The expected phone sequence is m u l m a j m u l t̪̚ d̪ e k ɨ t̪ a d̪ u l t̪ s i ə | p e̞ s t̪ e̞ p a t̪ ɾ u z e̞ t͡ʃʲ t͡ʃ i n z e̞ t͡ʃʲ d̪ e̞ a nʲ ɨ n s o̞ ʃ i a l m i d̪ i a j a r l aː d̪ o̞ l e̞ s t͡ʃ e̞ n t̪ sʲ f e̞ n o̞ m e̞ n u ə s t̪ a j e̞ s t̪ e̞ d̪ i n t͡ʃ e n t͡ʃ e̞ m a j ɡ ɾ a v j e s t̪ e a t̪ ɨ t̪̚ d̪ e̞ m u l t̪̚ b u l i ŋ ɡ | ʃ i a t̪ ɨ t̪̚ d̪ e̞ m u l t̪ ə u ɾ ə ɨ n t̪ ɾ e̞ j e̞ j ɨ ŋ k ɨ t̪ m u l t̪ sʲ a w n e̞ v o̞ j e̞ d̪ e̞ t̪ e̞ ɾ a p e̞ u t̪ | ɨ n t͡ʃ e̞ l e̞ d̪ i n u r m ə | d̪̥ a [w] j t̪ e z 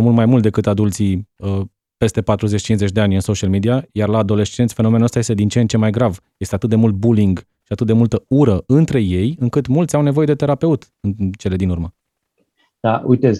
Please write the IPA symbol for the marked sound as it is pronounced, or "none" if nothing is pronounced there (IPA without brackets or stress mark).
u